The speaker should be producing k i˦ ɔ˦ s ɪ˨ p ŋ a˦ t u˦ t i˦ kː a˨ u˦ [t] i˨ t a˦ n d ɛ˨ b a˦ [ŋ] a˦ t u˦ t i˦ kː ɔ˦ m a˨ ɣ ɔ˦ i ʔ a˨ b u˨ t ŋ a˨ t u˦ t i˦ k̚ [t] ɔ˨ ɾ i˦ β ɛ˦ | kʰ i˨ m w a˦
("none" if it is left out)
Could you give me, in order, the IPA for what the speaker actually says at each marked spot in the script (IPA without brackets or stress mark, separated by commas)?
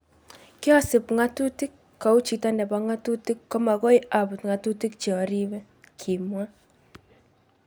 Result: t͡ʃ, ŋ, t͡ʃ